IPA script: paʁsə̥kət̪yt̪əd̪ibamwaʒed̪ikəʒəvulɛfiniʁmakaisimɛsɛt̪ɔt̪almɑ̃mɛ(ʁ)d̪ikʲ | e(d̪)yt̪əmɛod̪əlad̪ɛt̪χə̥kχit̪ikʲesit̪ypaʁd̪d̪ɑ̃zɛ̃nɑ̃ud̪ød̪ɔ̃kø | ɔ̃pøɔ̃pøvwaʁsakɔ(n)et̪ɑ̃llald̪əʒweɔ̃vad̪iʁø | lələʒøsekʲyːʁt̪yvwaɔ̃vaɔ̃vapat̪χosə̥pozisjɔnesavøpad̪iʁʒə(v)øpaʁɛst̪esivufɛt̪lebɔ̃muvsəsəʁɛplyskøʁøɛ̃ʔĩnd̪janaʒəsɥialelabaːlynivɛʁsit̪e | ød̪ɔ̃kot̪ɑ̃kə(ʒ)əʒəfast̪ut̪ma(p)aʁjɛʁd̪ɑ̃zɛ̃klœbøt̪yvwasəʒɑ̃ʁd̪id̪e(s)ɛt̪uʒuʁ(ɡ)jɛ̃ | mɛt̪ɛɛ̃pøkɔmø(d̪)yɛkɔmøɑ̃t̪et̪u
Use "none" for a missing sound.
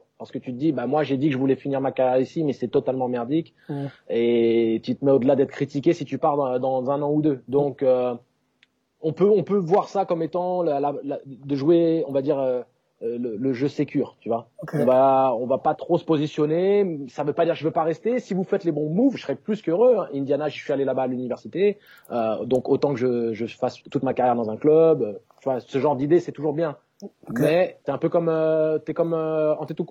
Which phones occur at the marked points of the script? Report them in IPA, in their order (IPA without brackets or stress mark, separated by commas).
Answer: ʁ, t̪, m, v, ʒ, k, s, b, t̪